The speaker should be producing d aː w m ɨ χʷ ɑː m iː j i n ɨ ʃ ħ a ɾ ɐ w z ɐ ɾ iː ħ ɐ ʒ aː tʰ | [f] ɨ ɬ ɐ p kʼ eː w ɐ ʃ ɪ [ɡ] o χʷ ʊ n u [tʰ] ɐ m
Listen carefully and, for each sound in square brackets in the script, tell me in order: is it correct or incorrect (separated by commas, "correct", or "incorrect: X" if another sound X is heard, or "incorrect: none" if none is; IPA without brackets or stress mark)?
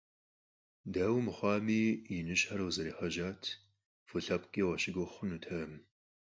correct, correct, correct